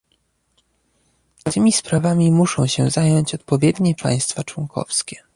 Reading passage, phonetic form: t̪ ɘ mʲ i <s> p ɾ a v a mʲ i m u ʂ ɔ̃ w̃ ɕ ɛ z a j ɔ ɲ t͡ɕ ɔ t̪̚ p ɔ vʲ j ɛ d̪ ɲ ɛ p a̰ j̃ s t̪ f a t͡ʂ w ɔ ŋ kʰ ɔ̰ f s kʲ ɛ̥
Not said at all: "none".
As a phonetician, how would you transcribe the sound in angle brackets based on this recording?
s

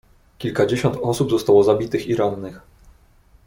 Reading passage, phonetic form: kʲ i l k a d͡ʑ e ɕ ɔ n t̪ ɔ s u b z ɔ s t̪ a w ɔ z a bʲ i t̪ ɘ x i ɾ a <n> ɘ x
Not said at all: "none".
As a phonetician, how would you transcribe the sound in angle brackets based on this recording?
nː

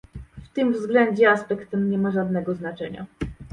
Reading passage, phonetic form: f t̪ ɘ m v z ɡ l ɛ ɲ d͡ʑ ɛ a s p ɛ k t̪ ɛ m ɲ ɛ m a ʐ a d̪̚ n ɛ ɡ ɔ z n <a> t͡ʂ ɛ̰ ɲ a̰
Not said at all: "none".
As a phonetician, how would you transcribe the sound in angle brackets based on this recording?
a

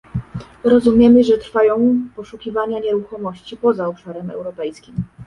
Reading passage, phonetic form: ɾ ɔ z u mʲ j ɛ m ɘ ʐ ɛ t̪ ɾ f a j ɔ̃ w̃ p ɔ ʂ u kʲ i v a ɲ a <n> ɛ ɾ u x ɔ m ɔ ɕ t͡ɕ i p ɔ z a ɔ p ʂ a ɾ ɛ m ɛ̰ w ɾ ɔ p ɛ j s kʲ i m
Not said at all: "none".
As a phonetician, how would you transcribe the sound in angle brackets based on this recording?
ɲ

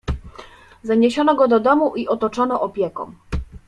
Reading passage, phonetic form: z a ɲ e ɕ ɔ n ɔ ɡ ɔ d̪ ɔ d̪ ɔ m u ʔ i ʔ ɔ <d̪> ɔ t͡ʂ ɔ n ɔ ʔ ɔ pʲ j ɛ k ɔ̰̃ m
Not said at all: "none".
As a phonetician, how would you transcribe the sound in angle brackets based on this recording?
t̪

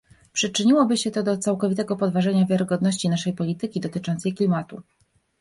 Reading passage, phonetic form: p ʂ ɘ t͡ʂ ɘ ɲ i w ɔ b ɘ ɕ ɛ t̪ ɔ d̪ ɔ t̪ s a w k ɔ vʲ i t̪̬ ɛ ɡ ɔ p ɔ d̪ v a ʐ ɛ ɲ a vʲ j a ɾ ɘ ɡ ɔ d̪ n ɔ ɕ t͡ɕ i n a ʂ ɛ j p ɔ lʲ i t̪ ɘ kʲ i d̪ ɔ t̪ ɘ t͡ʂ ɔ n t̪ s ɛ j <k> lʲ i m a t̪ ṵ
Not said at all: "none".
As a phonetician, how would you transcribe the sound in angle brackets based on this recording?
k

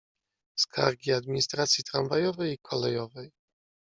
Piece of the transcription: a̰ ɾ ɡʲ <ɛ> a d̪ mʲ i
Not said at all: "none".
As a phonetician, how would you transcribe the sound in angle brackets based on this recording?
i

